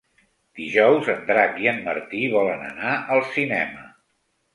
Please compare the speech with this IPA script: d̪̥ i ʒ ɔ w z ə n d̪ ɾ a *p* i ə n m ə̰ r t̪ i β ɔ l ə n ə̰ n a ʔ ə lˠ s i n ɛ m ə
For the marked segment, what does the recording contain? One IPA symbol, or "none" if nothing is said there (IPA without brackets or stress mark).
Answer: k